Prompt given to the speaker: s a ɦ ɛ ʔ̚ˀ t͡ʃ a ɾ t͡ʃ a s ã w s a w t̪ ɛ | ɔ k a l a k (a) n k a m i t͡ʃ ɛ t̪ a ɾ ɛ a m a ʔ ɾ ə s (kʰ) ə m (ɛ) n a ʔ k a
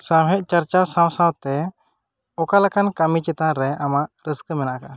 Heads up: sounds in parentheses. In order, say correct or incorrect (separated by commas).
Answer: correct, incorrect, correct